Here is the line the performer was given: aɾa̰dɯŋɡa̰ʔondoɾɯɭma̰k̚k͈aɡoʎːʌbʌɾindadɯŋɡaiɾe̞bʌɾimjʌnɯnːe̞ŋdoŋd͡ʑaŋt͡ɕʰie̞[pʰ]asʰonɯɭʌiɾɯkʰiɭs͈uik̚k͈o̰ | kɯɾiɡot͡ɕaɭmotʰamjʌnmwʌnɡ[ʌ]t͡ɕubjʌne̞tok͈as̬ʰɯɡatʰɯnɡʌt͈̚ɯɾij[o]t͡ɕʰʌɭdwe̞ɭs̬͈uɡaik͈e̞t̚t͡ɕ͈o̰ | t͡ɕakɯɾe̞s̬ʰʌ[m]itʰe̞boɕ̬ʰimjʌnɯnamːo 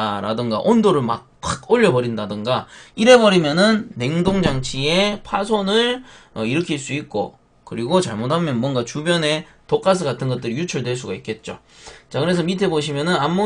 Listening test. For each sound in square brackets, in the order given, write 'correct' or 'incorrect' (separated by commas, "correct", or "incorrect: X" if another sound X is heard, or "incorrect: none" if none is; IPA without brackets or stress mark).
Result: correct, incorrect: a, incorrect: u, correct